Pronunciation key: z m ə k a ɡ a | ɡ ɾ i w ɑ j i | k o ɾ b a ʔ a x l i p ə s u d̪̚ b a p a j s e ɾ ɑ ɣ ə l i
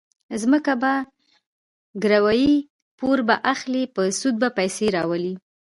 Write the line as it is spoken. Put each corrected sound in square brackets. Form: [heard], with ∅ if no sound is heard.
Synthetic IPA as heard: z m ə k a [b] a | ɡ ɾ [a] w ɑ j i | [p] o ɾ b a ʔ a x l i p ə s u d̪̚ b a p a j s e ɾ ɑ [w] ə l i